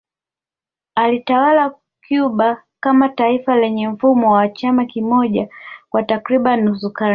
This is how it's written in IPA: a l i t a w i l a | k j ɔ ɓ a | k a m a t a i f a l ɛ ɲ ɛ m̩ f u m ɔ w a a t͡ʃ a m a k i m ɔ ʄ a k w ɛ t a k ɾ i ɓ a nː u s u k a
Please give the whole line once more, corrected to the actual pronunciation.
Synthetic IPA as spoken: a l i t a w a l a | k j u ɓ a | k a m a t a i f a l ɛ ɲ ɛ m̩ f u m ɔ w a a t͡ʃ a m a k i m ɔ ʄ a k w a t a k ɾ i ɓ a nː u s u k a